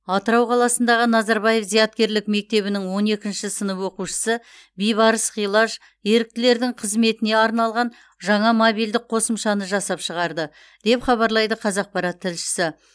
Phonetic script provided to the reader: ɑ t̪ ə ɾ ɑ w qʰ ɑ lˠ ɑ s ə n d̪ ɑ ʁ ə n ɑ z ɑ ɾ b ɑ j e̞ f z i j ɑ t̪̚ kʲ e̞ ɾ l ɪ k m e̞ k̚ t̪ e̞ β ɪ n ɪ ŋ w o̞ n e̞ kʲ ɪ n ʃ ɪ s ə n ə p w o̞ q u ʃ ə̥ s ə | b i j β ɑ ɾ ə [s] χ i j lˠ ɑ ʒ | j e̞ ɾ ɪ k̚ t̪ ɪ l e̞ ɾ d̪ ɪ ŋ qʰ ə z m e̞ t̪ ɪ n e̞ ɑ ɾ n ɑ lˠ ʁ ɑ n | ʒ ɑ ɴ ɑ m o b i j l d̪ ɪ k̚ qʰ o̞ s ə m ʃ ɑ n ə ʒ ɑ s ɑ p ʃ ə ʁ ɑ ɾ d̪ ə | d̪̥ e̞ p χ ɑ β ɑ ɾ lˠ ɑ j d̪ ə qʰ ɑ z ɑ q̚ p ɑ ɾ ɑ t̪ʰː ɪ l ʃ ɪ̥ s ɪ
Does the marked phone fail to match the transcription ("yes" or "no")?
no